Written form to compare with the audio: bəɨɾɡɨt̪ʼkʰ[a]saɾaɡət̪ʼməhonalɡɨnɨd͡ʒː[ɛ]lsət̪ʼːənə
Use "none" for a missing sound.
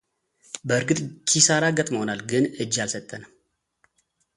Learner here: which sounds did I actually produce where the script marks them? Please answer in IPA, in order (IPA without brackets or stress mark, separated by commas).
i, a